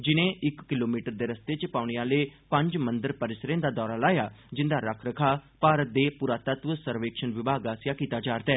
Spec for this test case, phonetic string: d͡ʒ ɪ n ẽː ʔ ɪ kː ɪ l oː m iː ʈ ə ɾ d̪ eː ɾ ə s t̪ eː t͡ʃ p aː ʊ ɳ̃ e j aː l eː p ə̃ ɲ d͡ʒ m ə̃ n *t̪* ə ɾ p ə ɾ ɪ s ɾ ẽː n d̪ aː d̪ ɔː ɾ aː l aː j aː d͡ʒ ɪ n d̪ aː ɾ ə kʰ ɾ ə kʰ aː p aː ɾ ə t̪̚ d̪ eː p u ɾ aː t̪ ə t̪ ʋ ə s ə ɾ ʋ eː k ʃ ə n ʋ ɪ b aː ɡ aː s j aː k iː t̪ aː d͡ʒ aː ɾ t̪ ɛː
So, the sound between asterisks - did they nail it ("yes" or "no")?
no